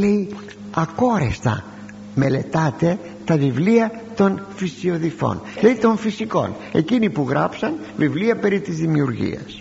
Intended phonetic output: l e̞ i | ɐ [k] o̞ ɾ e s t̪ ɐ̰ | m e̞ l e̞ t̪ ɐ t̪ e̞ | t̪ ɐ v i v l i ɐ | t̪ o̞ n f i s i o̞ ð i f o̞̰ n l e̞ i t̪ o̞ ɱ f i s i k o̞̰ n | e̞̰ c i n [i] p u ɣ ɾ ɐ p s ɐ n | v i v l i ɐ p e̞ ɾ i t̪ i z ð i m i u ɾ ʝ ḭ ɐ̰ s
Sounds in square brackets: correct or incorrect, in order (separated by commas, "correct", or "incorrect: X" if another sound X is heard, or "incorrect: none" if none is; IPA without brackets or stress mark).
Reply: correct, correct